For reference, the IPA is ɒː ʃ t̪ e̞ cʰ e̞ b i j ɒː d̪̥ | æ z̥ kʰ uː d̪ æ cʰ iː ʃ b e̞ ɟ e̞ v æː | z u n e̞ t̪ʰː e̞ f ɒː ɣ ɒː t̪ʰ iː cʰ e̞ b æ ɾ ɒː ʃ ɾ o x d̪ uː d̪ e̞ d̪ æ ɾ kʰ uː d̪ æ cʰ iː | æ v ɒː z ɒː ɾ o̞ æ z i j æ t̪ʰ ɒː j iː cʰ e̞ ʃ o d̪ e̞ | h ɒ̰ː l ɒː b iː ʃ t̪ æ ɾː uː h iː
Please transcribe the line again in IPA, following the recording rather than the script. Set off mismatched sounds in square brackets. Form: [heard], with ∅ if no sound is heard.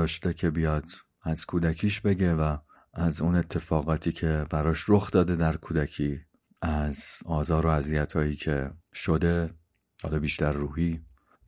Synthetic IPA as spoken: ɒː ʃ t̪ e̞ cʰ e̞ b i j ɒː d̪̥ | æ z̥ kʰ uː d̪ æ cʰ iː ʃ b e̞ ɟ e̞ v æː | z u n e̞ t̪ʰː e̞ f ɒː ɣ ɒː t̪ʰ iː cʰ e̞ b æ ɾ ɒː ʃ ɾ o x d̪ [ɒː] d̪ e̞ d̪ æ ɾ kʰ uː d̪ æ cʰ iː | æ [z] ɒː z ɒː ɾ o̞ æ z i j æ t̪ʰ ɒː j iː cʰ e̞ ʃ o d̪ e̞ | h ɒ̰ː l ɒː b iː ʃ t̪ æ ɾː uː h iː